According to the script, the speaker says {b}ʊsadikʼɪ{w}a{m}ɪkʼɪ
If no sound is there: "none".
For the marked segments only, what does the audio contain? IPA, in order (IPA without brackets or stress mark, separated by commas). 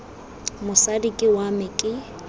m, w, m